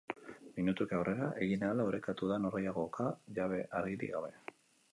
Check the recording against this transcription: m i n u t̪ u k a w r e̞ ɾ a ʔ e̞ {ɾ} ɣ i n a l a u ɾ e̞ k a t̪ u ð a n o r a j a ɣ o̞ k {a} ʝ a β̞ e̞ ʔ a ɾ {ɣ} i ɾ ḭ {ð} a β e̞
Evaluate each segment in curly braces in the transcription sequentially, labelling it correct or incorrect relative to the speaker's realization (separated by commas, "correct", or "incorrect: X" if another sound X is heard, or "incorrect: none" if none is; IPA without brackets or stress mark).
incorrect: none, correct, correct, incorrect: ɣ